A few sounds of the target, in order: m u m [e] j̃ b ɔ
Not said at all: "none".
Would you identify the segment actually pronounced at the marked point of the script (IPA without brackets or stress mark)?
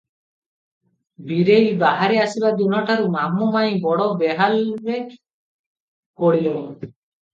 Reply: a